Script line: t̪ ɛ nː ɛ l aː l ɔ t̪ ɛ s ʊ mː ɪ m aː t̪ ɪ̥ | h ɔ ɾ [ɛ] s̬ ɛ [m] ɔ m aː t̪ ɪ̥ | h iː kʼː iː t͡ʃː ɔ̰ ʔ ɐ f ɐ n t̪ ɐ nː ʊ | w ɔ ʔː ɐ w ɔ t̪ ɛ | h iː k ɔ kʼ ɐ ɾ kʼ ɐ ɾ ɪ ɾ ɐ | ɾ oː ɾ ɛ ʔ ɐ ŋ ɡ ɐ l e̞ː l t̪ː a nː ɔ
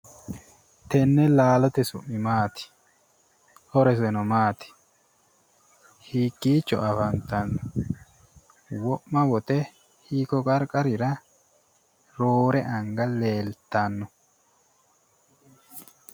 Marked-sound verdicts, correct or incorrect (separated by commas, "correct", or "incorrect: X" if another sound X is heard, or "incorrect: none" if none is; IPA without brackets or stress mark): correct, incorrect: n